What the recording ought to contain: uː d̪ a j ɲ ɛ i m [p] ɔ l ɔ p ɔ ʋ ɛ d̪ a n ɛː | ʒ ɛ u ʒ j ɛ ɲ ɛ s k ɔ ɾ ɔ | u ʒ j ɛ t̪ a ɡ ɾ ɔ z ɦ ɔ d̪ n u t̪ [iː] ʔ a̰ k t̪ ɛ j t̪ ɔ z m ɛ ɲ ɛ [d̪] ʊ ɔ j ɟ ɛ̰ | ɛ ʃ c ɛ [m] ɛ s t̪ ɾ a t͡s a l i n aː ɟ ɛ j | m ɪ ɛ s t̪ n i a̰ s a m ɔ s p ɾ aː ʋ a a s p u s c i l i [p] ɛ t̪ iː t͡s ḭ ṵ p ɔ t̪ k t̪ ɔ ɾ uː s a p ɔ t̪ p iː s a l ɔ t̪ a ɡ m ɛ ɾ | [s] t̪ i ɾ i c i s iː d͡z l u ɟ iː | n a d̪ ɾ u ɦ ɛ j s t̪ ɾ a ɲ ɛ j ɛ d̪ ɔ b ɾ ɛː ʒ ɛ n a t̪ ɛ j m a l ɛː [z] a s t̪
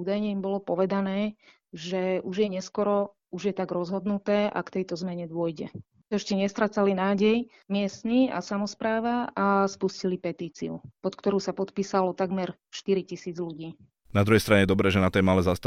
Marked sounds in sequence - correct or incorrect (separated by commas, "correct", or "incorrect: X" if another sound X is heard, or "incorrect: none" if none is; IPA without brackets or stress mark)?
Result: incorrect: b, incorrect: ɛː, correct, incorrect: ɲ, correct, incorrect: ʃ, correct